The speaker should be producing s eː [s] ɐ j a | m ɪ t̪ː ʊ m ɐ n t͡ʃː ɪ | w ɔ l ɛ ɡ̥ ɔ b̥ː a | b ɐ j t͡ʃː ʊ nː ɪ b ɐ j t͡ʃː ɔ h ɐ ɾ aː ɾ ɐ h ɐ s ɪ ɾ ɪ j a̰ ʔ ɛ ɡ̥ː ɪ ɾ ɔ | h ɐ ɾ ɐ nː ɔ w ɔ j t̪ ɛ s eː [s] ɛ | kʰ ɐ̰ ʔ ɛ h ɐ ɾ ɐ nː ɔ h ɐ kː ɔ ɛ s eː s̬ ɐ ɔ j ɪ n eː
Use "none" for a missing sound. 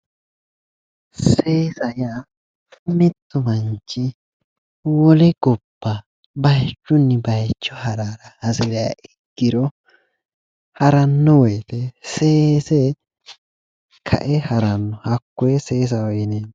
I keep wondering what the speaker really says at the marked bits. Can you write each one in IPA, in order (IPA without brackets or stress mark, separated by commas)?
s, s